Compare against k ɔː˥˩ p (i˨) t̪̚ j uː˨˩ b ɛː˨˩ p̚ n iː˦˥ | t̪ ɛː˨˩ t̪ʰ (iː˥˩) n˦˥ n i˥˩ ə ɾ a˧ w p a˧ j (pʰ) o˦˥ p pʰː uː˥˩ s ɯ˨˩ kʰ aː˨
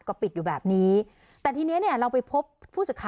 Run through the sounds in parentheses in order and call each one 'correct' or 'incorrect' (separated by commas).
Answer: correct, incorrect, correct